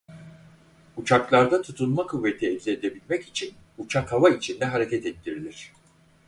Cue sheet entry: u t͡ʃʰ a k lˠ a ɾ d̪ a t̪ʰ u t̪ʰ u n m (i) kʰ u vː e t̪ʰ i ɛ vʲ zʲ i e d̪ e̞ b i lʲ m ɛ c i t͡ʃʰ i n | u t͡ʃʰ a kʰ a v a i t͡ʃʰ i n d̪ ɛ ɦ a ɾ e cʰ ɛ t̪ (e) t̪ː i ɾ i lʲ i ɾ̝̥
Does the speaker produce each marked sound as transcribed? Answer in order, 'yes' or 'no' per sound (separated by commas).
no, no